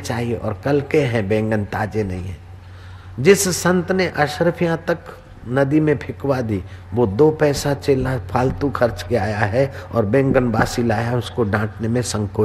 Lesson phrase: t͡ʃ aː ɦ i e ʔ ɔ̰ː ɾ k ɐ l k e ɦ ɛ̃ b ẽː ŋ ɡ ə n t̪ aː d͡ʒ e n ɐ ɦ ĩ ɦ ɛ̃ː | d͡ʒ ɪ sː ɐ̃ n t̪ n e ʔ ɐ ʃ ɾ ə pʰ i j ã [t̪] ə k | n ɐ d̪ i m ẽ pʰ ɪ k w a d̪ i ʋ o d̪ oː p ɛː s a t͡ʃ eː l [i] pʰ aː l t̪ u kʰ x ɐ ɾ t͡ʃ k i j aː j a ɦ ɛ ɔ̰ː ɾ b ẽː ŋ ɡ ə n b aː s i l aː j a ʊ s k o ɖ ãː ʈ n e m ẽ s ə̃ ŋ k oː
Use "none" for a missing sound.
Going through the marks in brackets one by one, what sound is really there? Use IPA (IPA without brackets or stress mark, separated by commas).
t̪, a